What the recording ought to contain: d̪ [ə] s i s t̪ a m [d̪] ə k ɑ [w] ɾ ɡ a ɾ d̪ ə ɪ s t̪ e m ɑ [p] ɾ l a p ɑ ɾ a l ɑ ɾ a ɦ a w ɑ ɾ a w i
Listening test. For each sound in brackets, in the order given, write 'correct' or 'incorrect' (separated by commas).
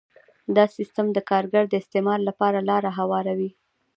incorrect, correct, incorrect, incorrect